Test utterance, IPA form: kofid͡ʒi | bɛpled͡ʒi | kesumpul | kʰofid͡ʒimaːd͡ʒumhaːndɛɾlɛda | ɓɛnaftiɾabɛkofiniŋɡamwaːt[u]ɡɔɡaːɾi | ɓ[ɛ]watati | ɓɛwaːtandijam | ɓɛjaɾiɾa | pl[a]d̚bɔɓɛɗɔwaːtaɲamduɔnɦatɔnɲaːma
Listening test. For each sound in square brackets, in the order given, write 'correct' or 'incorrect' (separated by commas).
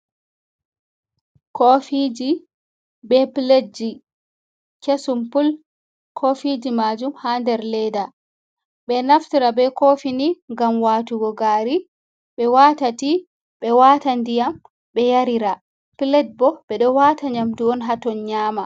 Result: correct, correct, incorrect